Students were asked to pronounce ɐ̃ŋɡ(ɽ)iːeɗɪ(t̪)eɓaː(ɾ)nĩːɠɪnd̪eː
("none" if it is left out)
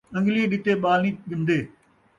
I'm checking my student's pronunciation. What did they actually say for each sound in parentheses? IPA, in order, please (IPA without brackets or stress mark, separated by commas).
l, t̪, l